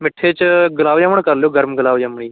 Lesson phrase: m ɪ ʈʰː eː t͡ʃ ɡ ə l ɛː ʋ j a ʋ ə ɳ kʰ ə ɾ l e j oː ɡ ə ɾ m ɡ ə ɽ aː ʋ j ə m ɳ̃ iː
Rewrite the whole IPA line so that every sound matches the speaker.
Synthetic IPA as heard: m ɪ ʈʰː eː t͡ʃ ɡ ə l aː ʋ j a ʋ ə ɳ k ə ɾ l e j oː ɡ ə ɾ m ɡ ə l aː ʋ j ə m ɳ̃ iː

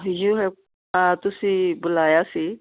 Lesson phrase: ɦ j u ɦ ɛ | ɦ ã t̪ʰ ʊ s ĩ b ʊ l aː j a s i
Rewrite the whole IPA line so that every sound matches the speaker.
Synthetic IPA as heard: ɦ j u ɦ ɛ | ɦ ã t̪ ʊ s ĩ b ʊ l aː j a s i

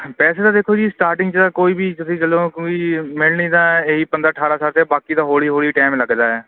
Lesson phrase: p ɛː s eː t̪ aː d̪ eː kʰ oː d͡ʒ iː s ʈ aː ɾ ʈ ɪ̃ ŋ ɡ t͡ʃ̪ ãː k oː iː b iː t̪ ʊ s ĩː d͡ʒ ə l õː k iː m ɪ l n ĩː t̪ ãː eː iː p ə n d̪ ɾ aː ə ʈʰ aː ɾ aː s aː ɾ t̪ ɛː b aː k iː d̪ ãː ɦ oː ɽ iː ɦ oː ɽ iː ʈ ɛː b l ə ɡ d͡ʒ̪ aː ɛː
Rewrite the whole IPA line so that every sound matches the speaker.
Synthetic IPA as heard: p ɛː s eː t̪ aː d̪ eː kʰ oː d͡ʒ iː s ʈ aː ɾ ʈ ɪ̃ ŋ ɡ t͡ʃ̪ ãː k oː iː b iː t̪ ʊ s ĩː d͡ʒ ə l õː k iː m ɪ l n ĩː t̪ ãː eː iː p ə n d̪ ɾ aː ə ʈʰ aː ɾ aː s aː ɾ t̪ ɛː b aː k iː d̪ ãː ɦ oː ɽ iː ɦ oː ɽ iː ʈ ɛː m l ə ɡ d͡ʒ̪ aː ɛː

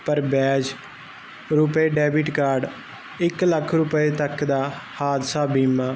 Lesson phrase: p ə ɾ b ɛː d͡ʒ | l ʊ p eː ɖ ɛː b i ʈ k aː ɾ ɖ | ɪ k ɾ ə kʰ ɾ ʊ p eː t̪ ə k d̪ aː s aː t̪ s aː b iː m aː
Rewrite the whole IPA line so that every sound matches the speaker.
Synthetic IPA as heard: p ə ɾ b ɛː d͡ʒ | ɾ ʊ p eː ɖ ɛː b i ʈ k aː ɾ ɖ | ɪ k l ə kʰ ɾ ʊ p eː t̪ ə k d̪ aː h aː d̪ s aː b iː m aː

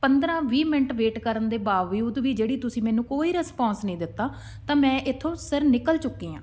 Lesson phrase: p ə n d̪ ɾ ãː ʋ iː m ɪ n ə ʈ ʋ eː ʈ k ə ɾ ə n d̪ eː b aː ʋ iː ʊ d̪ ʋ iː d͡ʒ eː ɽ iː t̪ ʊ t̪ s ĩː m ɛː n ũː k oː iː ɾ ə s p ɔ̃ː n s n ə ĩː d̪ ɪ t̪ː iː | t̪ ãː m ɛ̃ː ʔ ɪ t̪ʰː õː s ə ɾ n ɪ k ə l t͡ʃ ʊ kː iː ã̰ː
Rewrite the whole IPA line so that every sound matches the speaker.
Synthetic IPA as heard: p ə n d̪ ɾ ãː ʋ iː m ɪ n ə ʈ ʋ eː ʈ k ə ɾ ə n d̪ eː b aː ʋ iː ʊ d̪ ʋ iː d͡ʒ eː ɽ iː t̪ ʊ s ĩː m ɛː n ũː k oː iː ɾ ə s p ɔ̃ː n s n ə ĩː d̪ ɪ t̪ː aː | t̪ ãː m ɛ̃ː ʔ ɪ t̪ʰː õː s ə ɾ n ɪ k ə l t͡ʃ ʊ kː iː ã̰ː

